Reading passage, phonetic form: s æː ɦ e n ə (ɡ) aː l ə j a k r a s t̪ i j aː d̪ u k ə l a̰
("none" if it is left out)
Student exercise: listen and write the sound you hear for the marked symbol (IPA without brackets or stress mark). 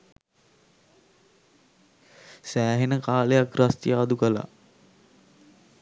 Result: k